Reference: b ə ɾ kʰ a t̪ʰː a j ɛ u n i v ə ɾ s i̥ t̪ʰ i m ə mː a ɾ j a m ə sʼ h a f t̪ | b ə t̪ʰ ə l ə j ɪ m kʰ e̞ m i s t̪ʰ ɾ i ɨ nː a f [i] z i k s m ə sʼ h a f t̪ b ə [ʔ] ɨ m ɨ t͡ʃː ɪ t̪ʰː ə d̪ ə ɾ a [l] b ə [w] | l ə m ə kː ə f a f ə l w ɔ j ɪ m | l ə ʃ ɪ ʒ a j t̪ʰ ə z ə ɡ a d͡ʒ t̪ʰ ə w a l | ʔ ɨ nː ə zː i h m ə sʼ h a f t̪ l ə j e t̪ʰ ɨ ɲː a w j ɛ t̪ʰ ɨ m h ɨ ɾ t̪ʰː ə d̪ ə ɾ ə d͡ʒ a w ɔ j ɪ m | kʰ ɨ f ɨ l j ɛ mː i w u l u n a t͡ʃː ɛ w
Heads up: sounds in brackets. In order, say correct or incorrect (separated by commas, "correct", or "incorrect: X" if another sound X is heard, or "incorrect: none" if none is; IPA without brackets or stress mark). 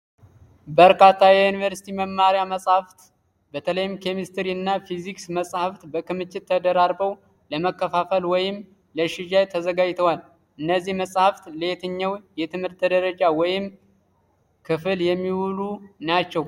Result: correct, incorrect: k, incorrect: ɾ, correct